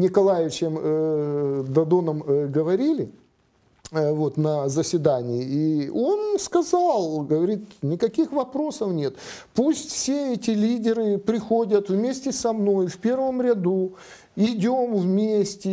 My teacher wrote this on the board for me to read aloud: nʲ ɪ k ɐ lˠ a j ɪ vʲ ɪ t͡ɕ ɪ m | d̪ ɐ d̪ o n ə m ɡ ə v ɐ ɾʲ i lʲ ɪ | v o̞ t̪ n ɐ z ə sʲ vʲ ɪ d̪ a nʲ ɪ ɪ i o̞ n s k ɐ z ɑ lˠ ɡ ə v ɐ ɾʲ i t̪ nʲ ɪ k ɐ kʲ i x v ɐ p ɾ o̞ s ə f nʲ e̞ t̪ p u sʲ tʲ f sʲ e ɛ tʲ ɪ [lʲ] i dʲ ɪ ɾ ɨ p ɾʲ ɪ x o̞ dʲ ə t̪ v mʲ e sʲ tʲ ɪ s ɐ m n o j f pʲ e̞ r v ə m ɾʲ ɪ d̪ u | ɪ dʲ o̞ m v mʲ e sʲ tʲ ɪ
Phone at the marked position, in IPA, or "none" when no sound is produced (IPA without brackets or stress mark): lʲ